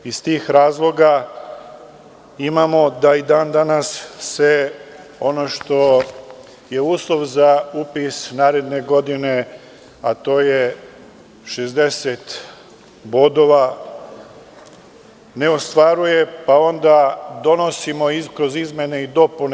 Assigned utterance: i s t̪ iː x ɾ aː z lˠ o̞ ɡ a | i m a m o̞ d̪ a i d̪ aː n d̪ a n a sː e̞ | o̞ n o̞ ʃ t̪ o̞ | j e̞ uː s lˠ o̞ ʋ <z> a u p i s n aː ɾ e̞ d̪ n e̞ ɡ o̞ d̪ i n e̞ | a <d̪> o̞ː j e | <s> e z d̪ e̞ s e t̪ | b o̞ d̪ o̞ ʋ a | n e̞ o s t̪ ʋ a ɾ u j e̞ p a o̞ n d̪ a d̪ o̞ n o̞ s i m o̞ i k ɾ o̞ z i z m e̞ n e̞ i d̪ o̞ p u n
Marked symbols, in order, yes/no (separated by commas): yes, no, no